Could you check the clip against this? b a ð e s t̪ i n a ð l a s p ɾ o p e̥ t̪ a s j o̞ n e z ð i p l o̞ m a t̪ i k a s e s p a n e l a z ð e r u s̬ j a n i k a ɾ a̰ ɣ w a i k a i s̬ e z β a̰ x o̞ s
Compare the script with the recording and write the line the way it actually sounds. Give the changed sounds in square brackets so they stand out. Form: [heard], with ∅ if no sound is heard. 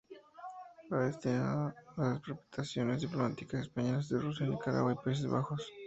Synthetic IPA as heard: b a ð e s t̪ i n a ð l a s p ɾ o p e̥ t̪ a s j o̞ n e z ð i p l o̞ m a t̪ i k a s e s p a [ɲ] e l a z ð e r u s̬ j a n i k a ɾ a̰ ɣ w a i [p] a i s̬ e z β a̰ x o̞ s

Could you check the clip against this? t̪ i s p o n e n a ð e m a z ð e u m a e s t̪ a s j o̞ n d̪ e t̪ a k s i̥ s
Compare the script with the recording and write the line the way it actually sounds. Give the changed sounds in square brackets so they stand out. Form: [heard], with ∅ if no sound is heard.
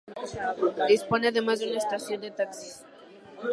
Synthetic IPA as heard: [d̪] i s p o n e [∅] a ð e m a z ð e u [n] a e s t̪ a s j o̞ n d̪ e t̪ a k s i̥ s

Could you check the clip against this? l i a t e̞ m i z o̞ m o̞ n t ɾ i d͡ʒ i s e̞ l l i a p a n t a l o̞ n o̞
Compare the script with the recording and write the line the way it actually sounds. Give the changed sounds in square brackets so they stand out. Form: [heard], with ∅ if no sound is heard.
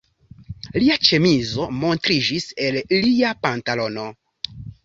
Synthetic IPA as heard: l i a [t͡ʃ] e̞ m i z o̞ m o̞ n t ɾ i d͡ʒ i s e̞ l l i a p a n t a l o̞ n o̞

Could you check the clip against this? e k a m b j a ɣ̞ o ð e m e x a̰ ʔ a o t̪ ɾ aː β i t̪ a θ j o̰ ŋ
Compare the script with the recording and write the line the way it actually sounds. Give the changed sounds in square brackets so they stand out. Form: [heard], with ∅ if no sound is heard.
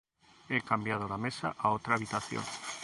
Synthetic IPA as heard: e k a m b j a [ð̞] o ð [a] m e [s] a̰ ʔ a o t̪ ɾ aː β i t̪ a θ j o̰ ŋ

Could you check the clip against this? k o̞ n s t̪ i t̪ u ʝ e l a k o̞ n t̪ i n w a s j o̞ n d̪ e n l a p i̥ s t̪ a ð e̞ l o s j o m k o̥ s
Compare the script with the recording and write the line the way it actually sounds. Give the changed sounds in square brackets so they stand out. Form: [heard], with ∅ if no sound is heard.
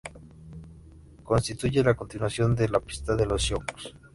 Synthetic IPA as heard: k o̞ n s t̪ i t̪ u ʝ e l a k o̞ n t̪ i n w a s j o̞ n d̪ e [∅] l a p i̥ s t̪ a ð e̞ l o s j o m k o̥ s

